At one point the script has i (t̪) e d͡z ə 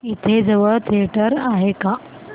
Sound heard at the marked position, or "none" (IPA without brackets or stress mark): t̪ʰ